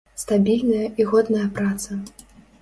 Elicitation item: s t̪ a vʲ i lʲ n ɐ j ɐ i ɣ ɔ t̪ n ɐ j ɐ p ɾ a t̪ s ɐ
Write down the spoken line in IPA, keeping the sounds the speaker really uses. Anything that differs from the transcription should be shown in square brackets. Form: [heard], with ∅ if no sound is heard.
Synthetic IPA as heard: s t̪ a [bʲ] i lʲ n ɐ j ɐ i ɣ ɔ [d̪] n ɐ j ɐ p ɾ a t̪ s ɐ